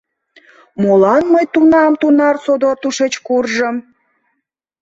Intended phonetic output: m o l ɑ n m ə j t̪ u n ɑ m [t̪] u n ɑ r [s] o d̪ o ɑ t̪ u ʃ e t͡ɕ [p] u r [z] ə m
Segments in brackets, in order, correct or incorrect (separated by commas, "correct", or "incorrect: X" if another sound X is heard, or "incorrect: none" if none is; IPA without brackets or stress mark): correct, correct, incorrect: k, incorrect: ʒ